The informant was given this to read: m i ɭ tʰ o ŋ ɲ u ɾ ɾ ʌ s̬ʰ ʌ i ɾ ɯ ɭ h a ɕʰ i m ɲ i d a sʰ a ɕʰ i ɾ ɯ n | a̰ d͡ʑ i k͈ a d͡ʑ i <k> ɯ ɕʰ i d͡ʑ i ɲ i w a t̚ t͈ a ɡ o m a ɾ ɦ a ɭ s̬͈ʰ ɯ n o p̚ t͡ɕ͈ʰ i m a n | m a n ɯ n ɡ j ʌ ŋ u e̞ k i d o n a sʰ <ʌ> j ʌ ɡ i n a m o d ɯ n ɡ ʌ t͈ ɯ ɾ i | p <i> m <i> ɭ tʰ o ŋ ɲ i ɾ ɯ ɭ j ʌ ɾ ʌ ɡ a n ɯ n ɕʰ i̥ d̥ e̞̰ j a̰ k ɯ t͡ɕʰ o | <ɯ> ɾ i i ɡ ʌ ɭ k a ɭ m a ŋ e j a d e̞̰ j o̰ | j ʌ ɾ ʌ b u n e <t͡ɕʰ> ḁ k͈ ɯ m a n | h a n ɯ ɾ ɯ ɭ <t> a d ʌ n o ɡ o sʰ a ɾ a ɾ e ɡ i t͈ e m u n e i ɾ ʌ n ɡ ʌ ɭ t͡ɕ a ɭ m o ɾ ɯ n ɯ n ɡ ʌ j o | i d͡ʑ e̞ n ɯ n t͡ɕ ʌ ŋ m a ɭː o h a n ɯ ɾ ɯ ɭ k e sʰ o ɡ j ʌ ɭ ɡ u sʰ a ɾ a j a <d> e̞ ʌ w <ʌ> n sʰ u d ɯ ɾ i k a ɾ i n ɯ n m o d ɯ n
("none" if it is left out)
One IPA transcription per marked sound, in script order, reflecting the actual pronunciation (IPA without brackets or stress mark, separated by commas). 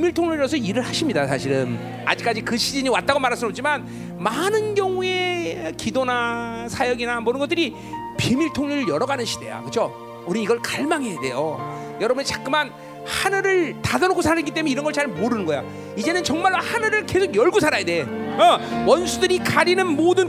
k, a, i, i, u, t͡ɕ, t, d, ʌ